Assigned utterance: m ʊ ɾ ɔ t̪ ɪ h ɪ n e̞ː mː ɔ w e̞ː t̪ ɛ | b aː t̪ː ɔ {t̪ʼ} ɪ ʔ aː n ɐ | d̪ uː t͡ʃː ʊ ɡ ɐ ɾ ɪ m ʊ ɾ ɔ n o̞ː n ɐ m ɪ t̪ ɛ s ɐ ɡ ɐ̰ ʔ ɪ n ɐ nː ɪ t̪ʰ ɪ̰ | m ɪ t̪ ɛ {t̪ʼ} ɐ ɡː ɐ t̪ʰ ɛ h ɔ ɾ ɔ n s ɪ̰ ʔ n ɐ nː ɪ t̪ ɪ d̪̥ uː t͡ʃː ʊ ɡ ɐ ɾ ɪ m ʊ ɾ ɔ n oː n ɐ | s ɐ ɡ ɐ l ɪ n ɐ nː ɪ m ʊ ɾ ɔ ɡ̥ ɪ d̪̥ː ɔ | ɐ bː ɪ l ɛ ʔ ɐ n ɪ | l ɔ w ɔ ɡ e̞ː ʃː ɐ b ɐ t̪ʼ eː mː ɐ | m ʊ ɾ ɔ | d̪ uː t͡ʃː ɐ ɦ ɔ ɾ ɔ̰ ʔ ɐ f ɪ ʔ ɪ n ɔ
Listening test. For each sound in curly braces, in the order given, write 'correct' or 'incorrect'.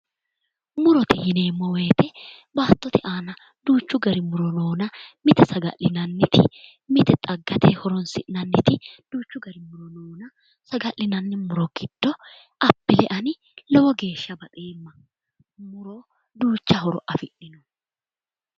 incorrect: t̪, correct

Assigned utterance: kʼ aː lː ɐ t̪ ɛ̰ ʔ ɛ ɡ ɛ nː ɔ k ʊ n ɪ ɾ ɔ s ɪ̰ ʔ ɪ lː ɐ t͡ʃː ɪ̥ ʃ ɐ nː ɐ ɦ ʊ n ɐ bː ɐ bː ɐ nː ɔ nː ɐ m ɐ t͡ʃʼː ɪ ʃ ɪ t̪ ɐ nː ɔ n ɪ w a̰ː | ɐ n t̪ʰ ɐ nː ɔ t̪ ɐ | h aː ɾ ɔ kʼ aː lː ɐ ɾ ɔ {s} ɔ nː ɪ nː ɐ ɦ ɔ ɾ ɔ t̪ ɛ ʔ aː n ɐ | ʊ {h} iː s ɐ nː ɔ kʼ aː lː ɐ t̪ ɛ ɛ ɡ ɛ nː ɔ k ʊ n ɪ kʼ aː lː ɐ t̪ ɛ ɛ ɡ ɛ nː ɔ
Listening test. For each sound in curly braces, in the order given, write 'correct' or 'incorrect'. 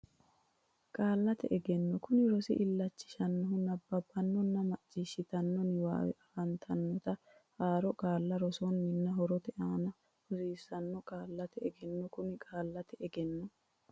correct, incorrect: s

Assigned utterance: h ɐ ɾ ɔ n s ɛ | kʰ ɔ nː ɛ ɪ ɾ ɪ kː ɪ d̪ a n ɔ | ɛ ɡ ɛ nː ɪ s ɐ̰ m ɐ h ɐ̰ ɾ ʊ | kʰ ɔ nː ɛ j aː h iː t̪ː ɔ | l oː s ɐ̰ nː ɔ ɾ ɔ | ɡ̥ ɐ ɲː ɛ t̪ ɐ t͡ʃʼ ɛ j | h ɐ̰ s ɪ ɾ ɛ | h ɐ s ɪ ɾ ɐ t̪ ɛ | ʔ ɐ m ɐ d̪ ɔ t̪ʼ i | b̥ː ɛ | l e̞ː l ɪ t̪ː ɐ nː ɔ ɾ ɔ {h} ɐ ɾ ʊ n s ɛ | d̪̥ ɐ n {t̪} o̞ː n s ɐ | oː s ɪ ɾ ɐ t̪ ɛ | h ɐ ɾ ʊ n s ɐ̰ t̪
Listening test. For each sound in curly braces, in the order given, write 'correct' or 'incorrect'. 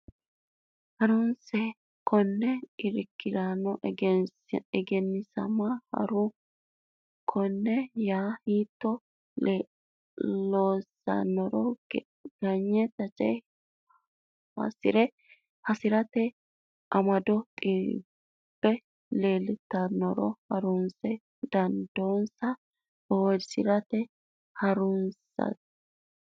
correct, incorrect: d̪

